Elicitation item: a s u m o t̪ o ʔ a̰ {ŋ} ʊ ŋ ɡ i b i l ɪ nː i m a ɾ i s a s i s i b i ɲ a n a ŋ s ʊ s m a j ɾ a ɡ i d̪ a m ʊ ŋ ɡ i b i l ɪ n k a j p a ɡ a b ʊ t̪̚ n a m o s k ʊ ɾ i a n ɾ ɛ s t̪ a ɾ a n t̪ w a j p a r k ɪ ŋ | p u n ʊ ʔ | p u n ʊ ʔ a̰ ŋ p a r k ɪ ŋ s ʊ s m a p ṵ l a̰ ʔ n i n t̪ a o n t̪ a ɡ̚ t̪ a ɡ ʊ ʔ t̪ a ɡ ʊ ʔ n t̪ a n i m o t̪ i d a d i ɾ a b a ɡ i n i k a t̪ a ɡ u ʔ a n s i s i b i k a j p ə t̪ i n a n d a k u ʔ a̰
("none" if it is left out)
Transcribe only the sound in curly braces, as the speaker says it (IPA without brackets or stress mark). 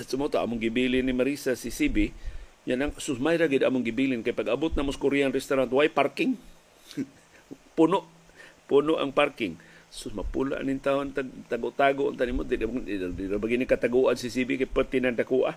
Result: m